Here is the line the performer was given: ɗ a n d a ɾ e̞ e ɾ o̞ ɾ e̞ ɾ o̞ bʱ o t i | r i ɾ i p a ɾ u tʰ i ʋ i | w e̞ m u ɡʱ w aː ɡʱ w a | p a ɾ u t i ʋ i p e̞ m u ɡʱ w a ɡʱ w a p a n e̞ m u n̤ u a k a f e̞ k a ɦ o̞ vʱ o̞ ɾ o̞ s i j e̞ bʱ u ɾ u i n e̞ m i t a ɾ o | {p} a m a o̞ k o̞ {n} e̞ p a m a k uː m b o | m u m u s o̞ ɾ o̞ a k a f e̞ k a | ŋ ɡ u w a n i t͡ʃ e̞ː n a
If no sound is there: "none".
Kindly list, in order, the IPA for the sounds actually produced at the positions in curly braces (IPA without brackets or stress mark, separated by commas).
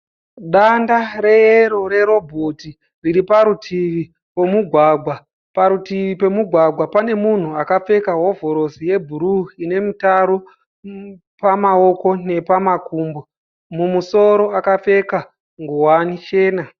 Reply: p, n